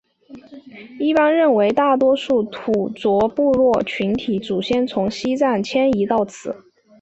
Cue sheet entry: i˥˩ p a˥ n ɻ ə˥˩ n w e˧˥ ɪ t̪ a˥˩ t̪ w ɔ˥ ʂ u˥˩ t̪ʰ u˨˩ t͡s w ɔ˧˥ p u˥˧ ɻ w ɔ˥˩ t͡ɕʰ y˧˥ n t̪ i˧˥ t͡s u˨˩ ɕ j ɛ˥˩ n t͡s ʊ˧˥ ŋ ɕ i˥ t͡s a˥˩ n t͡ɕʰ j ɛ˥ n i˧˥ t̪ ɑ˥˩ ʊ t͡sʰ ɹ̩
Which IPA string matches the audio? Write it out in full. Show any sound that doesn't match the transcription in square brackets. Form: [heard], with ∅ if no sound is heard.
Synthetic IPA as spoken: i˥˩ p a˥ n ɻ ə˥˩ n w e˧˥ ɪ t̪ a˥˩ t̪ w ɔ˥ ʂ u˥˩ t̪ʰ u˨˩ t͡s w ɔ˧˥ p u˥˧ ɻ w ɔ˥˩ t͡ɕʰ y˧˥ n [t̪ʰ] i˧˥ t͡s u˨˩ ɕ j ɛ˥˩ n [t͡sʰ] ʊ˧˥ ŋ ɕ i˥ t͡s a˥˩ n t͡ɕʰ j ɛ˥ n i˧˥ t̪ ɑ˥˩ ʊ t͡sʰ ɹ̩